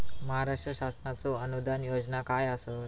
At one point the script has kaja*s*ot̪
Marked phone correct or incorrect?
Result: correct